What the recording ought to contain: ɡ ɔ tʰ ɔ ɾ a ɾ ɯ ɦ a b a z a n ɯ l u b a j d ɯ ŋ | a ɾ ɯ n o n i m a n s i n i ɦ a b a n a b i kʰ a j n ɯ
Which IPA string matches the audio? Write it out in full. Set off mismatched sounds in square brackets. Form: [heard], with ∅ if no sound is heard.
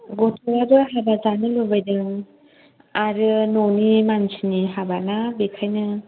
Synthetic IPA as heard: ɡ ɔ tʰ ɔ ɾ a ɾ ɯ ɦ a b a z a n ɯ l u b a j d ɯ ŋ | a ɾ ɯ n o n i m a n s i n i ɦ a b a n a b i kʰ a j n ɯ